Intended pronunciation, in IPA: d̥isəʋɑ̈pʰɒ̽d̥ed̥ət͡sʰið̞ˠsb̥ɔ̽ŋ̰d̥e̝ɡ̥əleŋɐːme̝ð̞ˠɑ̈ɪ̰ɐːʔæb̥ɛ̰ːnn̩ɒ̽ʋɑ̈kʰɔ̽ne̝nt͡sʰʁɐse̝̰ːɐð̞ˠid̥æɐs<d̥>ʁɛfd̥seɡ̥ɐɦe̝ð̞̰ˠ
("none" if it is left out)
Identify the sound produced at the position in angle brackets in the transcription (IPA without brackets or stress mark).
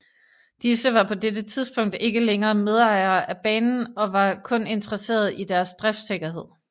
d̥